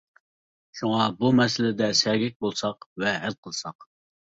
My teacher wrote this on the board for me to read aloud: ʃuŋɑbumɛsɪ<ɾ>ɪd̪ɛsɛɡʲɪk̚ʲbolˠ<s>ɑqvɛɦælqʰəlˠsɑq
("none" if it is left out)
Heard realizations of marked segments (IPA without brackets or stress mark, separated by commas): l, s